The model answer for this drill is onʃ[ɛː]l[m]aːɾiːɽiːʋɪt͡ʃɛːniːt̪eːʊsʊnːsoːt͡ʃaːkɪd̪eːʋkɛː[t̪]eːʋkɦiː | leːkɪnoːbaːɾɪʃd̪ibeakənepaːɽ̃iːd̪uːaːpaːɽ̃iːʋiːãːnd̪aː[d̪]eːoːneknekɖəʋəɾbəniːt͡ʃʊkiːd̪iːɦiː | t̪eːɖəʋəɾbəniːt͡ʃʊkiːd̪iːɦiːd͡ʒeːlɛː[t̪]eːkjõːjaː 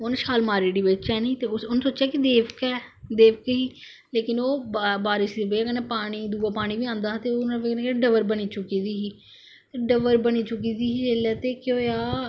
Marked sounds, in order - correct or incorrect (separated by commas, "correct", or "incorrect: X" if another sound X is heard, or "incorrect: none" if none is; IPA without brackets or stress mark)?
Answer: incorrect: aː, correct, incorrect: d̪, incorrect: t̪, correct